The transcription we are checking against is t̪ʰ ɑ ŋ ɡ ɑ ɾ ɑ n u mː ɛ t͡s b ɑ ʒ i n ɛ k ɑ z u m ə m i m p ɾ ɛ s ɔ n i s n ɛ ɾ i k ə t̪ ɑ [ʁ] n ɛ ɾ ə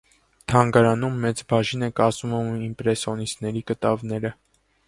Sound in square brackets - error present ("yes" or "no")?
yes